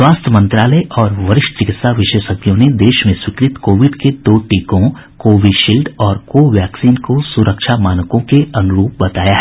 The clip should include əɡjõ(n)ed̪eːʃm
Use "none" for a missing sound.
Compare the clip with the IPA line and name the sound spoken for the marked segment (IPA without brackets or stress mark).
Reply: n